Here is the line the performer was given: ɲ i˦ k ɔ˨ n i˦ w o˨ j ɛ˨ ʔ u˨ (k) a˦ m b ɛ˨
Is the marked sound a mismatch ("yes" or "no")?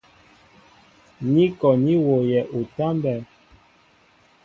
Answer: yes